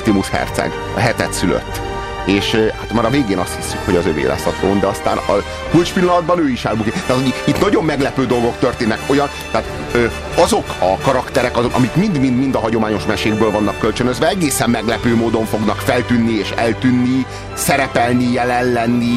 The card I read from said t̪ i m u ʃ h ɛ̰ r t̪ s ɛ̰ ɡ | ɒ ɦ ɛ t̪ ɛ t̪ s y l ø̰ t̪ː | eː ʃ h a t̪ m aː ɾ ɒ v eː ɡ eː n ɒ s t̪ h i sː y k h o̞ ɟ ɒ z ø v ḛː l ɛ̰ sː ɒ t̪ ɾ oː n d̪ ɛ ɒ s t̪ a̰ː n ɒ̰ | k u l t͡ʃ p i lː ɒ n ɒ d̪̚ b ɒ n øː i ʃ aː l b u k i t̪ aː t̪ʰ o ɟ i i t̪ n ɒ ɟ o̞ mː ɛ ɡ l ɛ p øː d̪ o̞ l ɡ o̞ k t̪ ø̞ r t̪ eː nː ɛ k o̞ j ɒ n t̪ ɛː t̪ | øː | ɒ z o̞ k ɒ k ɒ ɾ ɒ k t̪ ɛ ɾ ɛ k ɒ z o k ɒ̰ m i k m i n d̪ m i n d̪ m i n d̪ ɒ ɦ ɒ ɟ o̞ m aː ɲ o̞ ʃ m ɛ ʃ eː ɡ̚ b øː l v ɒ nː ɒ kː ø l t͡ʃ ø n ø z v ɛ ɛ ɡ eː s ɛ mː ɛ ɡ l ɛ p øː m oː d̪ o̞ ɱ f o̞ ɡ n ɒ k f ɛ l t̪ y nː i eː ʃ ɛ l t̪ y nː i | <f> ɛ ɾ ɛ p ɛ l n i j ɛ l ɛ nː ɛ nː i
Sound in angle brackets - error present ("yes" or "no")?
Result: yes